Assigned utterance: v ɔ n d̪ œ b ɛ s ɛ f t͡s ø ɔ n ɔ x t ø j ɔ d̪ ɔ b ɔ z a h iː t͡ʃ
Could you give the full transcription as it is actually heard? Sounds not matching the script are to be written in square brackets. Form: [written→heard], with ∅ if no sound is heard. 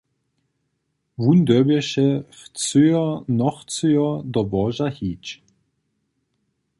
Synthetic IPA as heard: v [ɔ→u] n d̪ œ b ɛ [s→ʃ] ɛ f t͡s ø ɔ n ɔ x [t→t͡s] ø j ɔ d̪ ɔ b ɔ [z→ʒ] a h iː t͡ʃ

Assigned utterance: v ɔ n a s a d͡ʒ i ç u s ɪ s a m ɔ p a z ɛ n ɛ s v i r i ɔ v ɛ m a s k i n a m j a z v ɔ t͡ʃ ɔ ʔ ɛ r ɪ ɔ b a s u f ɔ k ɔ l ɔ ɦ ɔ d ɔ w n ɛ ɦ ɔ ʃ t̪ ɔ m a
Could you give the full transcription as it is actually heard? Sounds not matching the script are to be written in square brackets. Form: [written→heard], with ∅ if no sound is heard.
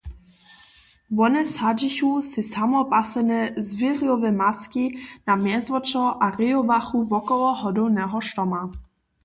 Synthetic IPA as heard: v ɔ n [a→ɛ] s a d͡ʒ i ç u s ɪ s a m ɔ p a [z→s] ɛ n ɛ [s→z] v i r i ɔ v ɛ m a s k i n a m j [a→ɛ] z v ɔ t͡ʃ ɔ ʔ [ɛ→a] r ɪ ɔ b a [s→x] u [f→v] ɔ k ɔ l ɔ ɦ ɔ d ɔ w n ɛ ɦ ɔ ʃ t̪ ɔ m a

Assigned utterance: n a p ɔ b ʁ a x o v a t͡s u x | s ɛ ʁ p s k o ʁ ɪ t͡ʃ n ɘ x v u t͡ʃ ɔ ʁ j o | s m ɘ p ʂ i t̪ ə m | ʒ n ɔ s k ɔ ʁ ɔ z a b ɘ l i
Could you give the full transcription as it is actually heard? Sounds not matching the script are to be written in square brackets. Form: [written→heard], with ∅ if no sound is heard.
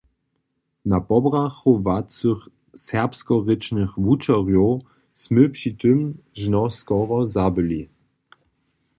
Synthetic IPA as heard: n a p ɔ b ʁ a x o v a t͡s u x | s ɛ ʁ p s k [o→ɔ] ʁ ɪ t͡ʃ n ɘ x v u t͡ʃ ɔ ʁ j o | s m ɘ p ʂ i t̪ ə m | ʒ n ɔ s k ɔ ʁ ɔ z a b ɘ l i

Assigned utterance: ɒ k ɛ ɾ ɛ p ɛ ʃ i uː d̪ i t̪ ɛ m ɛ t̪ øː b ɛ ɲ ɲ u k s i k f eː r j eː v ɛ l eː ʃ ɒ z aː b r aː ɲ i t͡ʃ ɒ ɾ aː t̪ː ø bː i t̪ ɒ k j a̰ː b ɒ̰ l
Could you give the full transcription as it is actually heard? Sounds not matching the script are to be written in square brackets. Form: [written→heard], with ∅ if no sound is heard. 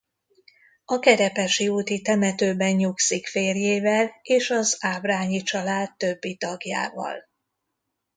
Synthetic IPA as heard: ɒ k ɛ ɾ ɛ p ɛ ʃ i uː [d̪→t̪] i t̪ ɛ m ɛ t̪ øː b ɛ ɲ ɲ u k s i k f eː r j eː v ɛ l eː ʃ ɒ z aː b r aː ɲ i t͡ʃ ɒ [ɾ→l] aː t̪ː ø bː i t̪ ɒ [k→ɡ] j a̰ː [b→v] ɒ̰ l

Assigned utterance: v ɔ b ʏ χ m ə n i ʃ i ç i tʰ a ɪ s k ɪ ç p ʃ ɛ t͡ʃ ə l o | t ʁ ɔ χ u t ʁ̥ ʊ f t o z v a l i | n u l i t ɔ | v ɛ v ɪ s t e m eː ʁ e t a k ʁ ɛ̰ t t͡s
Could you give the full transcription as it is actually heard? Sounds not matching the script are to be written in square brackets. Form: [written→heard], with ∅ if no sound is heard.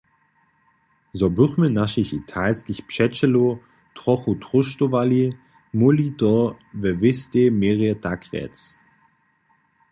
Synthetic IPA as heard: [v→z] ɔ b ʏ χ m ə n [i→a] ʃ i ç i tʰ a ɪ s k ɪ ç p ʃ ɛ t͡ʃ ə l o | t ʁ ɔ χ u t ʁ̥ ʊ [f→ʃ] t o [z→∅] v a l i | [n→m] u l i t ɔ | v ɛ v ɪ s t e m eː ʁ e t a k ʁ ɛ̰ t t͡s

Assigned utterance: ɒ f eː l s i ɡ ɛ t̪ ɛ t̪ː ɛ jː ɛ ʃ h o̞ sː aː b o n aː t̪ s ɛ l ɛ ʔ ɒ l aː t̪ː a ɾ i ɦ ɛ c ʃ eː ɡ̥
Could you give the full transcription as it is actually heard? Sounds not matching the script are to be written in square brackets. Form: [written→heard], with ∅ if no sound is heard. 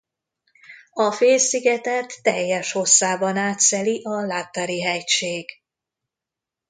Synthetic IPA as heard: ɒ f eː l s i ɡ ɛ t̪ ɛ t̪ː ɛ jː ɛ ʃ h o̞ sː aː b [o→ɒ] n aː t̪ s ɛ l [ɛ→i] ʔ ɒ l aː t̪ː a ɾ i ɦ ɛ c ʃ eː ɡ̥

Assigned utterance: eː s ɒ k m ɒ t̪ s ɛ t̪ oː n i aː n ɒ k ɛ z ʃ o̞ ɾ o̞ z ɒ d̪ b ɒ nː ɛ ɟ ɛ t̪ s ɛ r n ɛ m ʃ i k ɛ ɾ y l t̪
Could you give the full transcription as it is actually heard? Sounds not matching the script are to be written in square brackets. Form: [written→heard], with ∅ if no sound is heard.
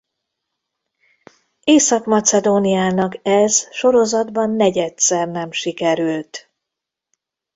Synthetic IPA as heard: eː s ɒ k m ɒ t̪ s ɛ [t̪→d̪] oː n i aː n ɒ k ɛ z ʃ o̞ ɾ o̞ z ɒ d̪ b ɒ nː ɛ ɟ ɛ t̪ s ɛ r n ɛ m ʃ i k ɛ ɾ y l t̪

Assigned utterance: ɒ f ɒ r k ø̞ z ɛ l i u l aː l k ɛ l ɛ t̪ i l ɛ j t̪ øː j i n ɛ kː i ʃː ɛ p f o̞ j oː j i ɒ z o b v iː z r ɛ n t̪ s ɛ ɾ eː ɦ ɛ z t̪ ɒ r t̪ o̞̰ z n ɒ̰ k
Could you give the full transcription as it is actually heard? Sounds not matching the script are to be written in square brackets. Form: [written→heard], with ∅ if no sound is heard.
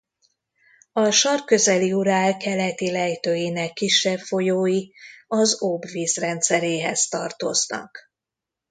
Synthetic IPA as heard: ɒ [f→ʃ] ɒ r k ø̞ z ɛ l i u [l→ɾ] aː l k ɛ l ɛ t̪ i l ɛ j t̪ øː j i n ɛ kː i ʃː ɛ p f o̞ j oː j i ɒ z o b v iː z r ɛ n t̪ s ɛ ɾ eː ɦ ɛ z t̪ ɒ r t̪ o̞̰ z n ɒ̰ k

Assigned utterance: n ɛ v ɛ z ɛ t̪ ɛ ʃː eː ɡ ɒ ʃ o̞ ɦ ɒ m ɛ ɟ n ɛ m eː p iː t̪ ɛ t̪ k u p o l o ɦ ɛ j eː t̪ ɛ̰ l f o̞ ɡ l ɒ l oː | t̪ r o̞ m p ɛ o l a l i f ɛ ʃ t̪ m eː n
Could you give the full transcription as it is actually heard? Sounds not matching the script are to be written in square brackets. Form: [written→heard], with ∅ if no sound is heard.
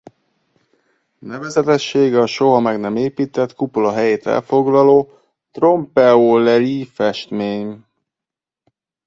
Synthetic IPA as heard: n ɛ v ɛ z ɛ t̪ ɛ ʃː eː ɡ ɒ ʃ o̞ ɦ ɒ m ɛ [ɟ→ɡ] n ɛ m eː p iː t̪ ɛ t̪ k u p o l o ɦ ɛ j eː t̪ ɛ̰ l f o̞ ɡ l ɒ l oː | t̪ r o̞ m p ɛ o l [a→ɛ] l i f ɛ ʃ t̪ m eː [n→ɲ]

